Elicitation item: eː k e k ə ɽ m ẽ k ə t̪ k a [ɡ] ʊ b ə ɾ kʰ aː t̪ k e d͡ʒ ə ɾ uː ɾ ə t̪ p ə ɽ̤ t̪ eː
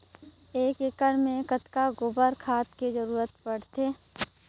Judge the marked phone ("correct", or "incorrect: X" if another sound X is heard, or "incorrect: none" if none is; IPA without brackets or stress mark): correct